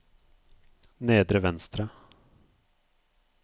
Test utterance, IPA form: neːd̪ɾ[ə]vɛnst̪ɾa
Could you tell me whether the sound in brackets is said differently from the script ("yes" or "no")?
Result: no